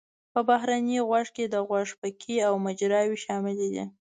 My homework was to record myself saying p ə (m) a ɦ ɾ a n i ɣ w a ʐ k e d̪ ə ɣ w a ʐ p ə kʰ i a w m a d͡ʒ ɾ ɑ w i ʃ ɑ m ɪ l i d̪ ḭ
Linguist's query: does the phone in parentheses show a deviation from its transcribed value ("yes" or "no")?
yes